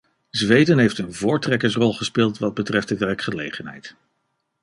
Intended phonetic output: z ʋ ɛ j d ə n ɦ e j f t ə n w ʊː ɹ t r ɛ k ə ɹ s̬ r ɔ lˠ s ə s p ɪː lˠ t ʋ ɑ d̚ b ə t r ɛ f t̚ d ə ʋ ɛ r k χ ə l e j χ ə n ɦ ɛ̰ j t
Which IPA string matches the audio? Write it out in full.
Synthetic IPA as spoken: z ʋ e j d ə n ɦ e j f t ə n v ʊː ɹ t r ɛ k ə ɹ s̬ r ɔ lˠ χ ə s p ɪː lˠ t ʋ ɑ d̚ b ə t r ɛ f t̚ d ə ʋ ɛ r k χ ə l e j χ ə n ɦ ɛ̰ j t